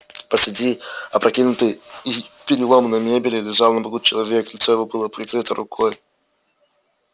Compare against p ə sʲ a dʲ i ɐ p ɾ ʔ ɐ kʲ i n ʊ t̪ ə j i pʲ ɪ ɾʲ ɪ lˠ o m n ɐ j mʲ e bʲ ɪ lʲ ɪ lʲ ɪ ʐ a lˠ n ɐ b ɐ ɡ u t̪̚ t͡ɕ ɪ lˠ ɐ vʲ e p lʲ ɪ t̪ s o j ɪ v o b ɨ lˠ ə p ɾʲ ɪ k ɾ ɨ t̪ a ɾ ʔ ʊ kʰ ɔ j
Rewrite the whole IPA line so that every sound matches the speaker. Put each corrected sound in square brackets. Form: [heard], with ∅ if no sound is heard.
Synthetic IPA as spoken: p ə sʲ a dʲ i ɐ p ɾ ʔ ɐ kʲ i n ʊ t̪ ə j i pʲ ɪ ɾʲ ɪ lˠ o m n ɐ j mʲ e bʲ ɪ lʲ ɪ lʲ ɪ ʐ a lˠ n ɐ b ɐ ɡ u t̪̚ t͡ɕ ɪ lˠ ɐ vʲ e [k] lʲ ɪ t̪ s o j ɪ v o b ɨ lˠ ə p ɾʲ ɪ k ɾ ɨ t̪ [ə] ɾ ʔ ʊ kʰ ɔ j